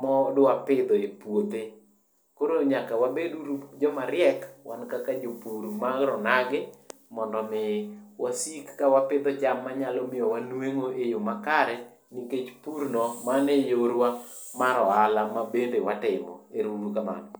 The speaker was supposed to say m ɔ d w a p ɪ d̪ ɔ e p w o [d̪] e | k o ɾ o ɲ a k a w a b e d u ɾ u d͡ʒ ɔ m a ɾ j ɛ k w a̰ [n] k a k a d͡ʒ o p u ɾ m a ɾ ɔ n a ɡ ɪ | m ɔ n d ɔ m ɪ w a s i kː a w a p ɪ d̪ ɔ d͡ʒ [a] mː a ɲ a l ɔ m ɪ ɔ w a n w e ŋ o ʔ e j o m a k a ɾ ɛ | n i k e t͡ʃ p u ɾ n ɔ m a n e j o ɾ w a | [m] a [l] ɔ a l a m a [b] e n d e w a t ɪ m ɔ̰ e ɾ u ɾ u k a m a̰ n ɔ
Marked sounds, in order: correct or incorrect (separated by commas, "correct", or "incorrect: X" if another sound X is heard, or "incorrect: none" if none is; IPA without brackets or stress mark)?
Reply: incorrect: t̪, correct, correct, correct, incorrect: ɾ, correct